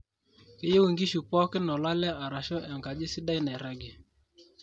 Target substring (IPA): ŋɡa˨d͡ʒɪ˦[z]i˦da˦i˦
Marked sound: incorrect: s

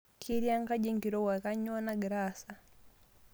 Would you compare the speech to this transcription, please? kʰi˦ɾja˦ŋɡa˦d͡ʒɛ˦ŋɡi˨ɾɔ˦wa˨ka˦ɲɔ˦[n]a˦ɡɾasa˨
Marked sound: correct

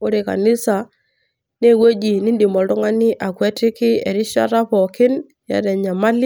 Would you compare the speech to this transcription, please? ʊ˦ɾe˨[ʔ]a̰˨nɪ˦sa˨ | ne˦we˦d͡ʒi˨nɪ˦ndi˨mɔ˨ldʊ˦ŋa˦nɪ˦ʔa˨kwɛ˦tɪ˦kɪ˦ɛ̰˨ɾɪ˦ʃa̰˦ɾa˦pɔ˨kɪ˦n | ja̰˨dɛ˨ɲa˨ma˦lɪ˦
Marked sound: incorrect: k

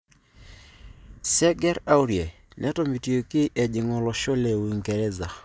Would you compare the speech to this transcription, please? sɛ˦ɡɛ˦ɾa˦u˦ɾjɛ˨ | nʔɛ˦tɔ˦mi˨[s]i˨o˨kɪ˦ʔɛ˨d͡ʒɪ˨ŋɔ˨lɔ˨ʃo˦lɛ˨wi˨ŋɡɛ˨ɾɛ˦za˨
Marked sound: incorrect: t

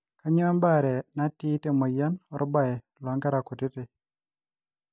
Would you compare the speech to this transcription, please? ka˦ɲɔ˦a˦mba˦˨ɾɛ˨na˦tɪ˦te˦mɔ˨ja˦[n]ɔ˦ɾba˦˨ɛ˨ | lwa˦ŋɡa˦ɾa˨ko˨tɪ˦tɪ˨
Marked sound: correct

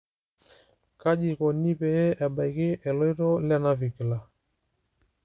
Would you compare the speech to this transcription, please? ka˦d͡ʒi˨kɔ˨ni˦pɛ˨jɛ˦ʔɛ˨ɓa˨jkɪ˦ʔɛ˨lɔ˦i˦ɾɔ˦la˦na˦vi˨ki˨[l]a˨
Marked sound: correct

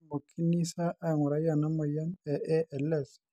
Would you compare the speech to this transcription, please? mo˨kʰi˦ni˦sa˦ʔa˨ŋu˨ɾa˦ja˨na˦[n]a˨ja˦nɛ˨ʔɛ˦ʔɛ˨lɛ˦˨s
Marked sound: incorrect: m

